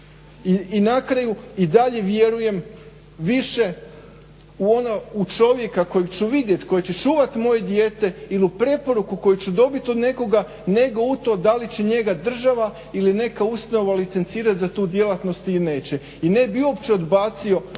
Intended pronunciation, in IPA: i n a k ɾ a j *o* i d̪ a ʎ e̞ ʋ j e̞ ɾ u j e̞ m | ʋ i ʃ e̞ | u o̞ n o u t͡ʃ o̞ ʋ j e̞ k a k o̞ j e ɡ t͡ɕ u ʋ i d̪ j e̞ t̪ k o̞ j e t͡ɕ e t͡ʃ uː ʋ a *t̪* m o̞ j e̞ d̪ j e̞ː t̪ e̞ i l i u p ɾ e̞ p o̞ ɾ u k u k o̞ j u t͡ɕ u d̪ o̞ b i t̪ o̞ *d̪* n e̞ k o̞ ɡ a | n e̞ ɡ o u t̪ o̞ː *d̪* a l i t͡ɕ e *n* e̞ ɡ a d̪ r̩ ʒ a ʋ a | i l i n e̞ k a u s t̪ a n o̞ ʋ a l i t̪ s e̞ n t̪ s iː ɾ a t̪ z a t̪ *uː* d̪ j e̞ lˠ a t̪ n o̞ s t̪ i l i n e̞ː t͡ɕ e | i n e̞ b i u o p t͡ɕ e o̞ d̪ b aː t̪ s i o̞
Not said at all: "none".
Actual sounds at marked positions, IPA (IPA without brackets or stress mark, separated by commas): u, t̪, d̪, d̪, ɲ, uː